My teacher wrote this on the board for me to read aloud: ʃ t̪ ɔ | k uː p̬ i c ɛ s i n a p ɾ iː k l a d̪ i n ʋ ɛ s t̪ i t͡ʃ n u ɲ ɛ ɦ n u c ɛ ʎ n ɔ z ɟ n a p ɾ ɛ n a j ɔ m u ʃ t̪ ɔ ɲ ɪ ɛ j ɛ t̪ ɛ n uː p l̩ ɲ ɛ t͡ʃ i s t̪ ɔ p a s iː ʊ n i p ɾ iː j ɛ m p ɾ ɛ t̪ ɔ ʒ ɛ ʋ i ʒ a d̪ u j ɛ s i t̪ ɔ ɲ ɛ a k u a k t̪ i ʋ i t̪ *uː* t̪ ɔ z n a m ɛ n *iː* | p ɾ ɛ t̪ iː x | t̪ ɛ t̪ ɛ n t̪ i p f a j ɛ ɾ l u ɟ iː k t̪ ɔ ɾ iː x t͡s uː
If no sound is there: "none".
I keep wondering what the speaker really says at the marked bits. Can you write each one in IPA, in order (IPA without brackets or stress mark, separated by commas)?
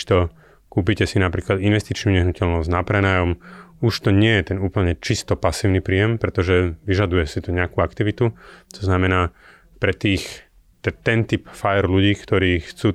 u, aː